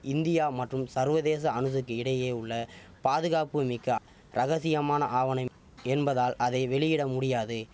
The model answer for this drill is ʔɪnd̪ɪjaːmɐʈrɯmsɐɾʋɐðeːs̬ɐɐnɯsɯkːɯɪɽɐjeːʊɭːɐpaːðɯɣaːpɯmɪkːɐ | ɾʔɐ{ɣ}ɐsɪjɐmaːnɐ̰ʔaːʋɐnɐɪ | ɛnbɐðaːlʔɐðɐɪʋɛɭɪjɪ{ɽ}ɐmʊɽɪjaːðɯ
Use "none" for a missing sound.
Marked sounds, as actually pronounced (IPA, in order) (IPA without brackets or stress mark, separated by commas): ɣ, ɽ